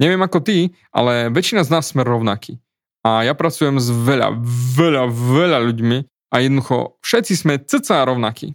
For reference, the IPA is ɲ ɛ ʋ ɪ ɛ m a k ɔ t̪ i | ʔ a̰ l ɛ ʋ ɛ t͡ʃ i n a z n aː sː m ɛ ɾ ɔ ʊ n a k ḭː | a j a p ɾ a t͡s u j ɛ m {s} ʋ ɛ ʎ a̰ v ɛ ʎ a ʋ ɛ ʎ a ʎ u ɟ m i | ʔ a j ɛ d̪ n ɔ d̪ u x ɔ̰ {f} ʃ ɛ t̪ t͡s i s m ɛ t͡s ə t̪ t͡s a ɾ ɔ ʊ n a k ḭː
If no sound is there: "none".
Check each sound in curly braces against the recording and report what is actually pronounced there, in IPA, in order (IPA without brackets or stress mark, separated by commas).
z, f